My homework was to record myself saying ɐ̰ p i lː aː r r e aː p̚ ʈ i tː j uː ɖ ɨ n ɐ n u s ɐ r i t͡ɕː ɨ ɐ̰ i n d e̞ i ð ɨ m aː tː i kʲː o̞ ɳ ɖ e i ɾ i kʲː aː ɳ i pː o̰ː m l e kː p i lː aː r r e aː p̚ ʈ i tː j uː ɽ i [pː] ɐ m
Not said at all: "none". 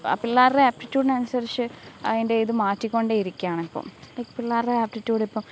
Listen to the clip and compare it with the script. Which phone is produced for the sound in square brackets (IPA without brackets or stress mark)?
pː